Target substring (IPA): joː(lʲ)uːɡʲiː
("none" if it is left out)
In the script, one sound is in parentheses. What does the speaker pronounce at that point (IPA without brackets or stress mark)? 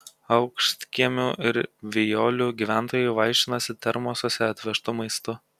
lʲ